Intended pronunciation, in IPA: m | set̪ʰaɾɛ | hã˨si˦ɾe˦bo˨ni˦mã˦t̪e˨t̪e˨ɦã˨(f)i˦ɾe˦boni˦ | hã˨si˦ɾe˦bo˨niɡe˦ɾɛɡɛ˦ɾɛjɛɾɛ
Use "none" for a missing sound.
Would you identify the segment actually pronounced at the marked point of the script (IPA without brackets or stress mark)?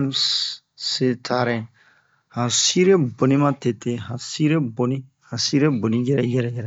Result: s